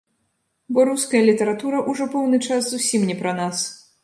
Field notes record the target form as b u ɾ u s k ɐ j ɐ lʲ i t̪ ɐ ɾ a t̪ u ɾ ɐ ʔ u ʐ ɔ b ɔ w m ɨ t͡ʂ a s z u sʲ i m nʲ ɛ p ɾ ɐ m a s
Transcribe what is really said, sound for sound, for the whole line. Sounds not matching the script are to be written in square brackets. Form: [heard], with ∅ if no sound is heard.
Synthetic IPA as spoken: b [ɔ] ɾ u s k ɐ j ɐ lʲ i t̪ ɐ ɾ a t̪ u ɾ ɐ ʔ u ʐ ɔ [p] ɔ w [n] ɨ t͡ʂ a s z u sʲ i m nʲ ɛ p ɾ ɐ [n] a s